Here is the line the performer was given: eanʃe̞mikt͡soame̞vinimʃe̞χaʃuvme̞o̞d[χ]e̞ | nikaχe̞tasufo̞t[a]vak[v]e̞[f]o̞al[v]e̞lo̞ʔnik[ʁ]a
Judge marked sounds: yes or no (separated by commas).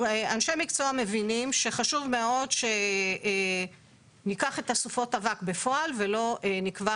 no, yes, no, yes, yes, no